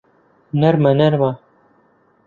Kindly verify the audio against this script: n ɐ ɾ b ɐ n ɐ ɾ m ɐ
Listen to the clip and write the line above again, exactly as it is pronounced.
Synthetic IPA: n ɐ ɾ m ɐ n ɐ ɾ m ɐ